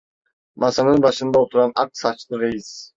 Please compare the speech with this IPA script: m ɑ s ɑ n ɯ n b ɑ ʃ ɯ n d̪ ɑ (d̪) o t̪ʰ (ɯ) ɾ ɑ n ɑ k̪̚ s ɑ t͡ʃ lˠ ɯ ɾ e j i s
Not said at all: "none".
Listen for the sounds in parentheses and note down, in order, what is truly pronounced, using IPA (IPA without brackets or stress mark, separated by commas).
none, u